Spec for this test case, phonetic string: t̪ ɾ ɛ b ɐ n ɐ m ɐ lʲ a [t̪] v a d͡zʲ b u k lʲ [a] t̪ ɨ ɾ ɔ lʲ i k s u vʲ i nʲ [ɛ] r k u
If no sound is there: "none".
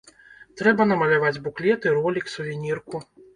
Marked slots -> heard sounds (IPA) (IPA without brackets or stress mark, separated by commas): none, ɛ, i